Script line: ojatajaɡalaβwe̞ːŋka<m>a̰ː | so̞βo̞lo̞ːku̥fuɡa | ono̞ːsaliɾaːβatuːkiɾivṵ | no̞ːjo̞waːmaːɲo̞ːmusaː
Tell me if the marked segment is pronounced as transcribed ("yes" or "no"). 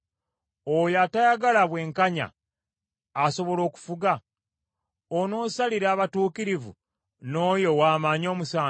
no